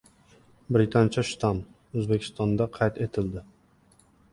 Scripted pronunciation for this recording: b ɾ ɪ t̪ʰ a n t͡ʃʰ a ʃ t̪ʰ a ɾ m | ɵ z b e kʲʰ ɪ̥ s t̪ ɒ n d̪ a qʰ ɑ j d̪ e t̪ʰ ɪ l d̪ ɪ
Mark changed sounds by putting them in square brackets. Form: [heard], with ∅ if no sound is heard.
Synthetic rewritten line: b ɾ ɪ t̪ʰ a n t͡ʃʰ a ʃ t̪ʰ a [∅] m | ɵ z b e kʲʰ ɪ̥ s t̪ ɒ n d̪ a qʰ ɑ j [t̪] e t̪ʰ ɪ l d̪ ɪ